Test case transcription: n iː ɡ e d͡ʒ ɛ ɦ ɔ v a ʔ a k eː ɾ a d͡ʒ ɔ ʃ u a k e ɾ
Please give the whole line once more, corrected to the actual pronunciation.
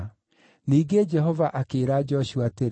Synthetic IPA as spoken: n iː ɡ e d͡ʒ ɛ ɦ ɔ v a ʔ a k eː ɾ a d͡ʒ ɔ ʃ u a t e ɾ

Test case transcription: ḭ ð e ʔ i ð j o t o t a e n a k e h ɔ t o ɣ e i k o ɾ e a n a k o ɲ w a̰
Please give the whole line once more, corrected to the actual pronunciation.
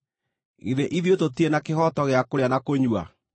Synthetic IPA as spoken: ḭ ð e ʔ i ð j o t o t i e n a k e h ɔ t ɔ ɣ e a k o ɾ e a n a k o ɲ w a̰

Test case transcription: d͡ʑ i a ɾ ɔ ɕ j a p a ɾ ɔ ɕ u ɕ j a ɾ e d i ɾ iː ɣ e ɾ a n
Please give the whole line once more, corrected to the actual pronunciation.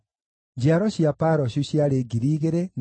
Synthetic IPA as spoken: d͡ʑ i a ɾ ɔ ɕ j a p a ɾ ɔ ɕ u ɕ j a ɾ e ɡ i ɾ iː ɣ e ɾ e n

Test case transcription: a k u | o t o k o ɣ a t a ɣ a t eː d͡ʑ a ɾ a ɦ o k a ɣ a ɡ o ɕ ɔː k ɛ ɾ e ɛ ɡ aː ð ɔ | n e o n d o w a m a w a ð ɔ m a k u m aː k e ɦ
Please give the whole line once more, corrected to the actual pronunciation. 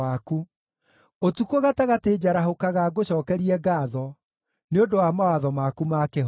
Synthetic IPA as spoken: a k u | o t u k o ɣ a t a ɣ a t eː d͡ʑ a ɾ a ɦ o k a ɣ a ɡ o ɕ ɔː k ɛ ɾ i ɛ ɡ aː ð ɔ | n e o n d o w a m a w a ð ɔ m a k u m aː k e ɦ

